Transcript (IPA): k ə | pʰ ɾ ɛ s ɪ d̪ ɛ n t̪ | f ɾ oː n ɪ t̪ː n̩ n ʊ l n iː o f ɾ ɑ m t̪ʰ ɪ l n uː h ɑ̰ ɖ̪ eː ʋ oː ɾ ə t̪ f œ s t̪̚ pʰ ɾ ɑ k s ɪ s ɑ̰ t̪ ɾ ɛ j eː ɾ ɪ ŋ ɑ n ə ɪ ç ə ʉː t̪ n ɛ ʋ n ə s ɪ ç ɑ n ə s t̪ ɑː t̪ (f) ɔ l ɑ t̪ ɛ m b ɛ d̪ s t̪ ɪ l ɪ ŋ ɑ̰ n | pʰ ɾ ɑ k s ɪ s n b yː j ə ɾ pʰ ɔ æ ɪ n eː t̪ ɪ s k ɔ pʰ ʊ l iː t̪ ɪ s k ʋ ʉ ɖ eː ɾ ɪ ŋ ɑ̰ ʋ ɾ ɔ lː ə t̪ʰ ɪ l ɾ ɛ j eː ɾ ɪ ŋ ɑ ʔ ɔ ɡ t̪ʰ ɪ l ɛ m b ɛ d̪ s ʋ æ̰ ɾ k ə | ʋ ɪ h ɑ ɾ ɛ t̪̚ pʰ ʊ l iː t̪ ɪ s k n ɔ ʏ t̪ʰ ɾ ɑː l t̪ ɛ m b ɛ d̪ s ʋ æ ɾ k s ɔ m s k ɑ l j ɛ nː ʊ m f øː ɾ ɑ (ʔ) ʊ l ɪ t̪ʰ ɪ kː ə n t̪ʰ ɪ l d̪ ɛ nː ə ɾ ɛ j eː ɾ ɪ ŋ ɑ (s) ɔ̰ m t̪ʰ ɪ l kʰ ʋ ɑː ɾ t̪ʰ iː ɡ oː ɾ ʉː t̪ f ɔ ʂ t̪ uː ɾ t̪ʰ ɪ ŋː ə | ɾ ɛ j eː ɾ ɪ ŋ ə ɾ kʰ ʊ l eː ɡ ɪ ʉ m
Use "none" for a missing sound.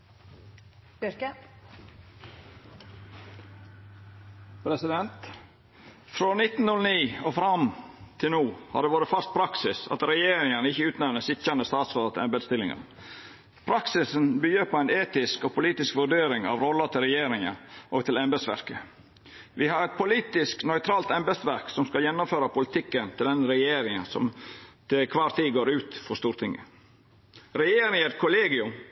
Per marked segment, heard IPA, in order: s, p, s

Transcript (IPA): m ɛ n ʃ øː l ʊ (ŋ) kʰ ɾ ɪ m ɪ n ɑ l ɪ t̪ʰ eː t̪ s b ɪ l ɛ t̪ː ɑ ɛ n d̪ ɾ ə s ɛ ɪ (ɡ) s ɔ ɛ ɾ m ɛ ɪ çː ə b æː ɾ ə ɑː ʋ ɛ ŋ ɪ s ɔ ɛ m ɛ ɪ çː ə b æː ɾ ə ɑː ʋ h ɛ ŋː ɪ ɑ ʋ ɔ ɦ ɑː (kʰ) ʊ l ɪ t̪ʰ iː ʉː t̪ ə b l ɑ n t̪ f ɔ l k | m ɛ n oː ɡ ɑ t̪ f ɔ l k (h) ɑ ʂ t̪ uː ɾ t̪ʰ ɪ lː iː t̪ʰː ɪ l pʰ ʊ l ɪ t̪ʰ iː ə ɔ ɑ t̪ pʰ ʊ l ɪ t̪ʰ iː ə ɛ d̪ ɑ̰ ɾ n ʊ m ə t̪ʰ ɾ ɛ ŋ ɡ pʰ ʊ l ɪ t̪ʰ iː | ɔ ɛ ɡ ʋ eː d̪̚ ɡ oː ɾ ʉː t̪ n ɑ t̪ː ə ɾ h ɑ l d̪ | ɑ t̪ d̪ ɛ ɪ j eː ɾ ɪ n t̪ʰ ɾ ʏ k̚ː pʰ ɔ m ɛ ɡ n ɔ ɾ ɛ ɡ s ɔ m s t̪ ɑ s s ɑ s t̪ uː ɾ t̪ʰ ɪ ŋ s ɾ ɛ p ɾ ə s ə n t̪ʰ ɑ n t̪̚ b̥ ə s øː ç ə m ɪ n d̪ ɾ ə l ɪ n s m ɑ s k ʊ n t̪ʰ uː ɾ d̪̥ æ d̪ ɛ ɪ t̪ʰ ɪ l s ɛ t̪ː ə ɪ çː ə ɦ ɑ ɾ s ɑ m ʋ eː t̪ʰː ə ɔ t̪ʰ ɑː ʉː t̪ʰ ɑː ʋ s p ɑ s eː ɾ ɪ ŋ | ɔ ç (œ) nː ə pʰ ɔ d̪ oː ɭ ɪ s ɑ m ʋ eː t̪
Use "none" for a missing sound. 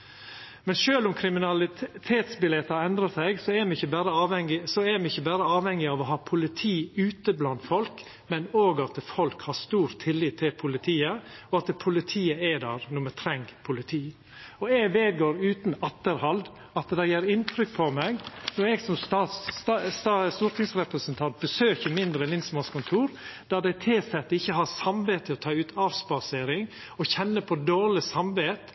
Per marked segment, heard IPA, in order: m, ɡ, pʰ, h, ɛ

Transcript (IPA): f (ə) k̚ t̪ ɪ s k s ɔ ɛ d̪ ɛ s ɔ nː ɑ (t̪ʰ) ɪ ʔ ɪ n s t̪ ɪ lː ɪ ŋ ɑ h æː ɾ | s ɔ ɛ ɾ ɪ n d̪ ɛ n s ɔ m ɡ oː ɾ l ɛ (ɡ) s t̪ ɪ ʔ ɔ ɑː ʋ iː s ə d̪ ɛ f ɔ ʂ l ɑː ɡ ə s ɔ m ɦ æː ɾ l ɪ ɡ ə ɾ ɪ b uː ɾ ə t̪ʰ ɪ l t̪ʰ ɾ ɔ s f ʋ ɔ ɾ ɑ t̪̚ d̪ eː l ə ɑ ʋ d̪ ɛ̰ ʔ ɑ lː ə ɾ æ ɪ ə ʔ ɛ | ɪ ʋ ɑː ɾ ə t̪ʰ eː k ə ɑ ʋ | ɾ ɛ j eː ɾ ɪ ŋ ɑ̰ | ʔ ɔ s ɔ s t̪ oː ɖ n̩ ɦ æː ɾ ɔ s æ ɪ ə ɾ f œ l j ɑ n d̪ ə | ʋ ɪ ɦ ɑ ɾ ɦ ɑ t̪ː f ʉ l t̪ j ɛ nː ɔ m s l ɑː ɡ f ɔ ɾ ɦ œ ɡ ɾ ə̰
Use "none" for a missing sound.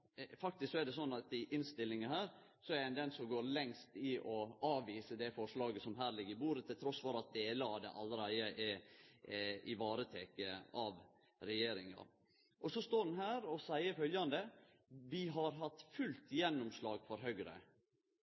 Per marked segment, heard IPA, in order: ɑ, t̪, ŋ

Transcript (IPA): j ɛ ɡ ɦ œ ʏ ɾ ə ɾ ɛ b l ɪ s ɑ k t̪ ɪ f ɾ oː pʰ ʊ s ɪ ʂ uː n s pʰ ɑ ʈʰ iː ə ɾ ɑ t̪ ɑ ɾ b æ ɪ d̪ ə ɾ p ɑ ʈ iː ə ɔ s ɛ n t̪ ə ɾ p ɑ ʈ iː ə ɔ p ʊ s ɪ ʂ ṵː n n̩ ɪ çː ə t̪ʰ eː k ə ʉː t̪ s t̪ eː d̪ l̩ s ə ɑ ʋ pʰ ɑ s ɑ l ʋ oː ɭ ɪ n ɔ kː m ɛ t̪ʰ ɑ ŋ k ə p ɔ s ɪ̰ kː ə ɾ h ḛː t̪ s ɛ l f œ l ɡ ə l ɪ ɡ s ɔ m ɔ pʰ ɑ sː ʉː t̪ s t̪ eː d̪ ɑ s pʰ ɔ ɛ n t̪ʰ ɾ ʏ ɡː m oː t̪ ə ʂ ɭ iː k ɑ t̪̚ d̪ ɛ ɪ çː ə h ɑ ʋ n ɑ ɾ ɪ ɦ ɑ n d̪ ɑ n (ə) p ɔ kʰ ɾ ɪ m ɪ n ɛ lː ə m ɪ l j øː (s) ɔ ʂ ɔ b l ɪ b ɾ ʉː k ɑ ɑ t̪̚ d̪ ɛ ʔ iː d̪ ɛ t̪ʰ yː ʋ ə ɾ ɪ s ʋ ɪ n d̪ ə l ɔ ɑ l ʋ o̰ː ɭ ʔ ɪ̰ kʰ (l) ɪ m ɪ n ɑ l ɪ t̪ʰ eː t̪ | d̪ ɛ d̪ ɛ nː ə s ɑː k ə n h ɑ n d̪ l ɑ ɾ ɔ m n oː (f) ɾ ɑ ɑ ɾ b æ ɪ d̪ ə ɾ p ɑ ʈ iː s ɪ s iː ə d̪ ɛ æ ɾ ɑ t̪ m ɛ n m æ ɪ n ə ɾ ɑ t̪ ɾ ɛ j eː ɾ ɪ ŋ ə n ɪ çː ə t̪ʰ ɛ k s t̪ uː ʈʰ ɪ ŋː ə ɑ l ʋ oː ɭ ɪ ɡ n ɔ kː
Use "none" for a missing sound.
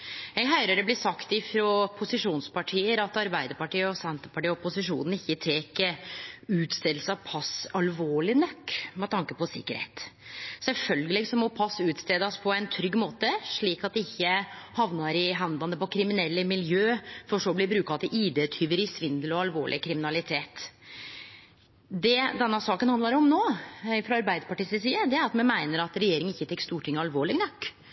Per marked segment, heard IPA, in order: ə, f, ɾ, f

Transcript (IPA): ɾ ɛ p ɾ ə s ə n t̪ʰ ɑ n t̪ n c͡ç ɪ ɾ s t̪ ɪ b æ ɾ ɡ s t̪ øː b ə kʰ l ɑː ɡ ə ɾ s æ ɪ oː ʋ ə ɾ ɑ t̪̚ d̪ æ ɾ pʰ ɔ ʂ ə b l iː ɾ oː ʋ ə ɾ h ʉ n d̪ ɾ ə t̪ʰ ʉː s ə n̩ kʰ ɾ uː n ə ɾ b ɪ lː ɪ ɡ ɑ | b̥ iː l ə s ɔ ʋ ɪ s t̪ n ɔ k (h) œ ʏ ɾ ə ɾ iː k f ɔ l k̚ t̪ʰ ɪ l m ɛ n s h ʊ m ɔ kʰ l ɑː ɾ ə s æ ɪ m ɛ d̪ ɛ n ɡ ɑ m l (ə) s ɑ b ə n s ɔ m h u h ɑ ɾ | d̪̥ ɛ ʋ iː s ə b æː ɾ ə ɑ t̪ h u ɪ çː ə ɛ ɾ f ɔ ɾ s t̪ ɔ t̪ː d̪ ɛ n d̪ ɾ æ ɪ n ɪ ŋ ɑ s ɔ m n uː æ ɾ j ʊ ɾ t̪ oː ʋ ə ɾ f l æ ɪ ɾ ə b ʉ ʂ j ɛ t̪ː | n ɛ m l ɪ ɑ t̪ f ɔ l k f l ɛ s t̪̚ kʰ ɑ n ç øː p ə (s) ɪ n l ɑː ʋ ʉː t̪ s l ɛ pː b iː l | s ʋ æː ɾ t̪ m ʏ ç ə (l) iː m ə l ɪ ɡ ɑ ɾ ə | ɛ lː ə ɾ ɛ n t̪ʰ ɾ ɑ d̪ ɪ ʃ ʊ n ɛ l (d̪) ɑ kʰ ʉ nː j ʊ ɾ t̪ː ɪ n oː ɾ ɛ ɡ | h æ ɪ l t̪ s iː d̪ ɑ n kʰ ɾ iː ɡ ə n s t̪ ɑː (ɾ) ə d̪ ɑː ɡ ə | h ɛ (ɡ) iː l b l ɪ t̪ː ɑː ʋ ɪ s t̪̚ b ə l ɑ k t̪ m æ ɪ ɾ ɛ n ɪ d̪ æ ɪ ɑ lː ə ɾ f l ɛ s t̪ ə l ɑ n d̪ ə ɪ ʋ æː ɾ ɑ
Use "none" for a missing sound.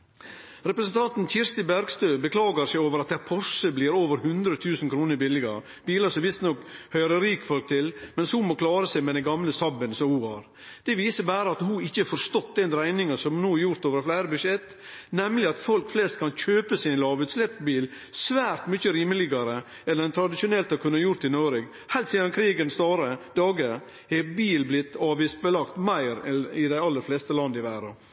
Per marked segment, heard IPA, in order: h, ə, s, ɾ, t̪, ɾ, b

